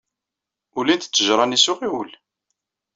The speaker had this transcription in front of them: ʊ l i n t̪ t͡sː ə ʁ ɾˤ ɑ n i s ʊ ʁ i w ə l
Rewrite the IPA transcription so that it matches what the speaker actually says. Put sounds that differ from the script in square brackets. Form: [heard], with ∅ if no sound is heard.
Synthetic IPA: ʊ l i n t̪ t͡sː ə [ʒ] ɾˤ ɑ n i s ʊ ʁ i w ə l